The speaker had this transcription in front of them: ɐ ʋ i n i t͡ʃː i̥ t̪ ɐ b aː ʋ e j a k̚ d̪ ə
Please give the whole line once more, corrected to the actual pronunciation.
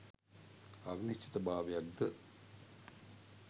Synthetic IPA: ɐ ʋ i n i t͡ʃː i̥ t̪ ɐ b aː ʋ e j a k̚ d̪ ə